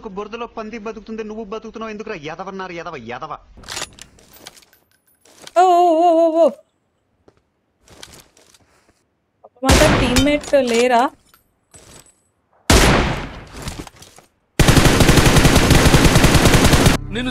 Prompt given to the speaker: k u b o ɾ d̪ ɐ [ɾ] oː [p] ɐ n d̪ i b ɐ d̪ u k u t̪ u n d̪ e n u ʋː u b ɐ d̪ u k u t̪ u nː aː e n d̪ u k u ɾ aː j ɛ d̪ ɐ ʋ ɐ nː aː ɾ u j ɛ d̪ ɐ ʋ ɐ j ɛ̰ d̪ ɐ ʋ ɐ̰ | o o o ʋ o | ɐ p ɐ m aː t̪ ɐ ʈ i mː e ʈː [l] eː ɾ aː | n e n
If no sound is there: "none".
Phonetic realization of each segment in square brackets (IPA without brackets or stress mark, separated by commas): l, p, l